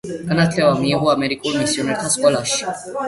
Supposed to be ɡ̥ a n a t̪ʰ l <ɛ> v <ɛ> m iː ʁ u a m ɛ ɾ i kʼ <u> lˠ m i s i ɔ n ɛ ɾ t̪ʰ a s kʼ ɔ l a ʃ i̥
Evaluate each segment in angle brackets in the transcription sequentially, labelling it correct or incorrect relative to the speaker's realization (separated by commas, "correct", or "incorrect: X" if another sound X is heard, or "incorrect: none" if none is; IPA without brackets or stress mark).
correct, incorrect: a, correct